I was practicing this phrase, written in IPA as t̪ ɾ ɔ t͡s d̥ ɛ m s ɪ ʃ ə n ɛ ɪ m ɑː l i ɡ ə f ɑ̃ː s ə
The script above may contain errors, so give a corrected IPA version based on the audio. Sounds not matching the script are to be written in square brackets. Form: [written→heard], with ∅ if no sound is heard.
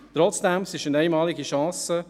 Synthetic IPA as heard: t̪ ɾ ɔ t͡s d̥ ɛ m s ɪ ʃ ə n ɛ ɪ m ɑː l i ɡ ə [f→ʃ] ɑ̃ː s ə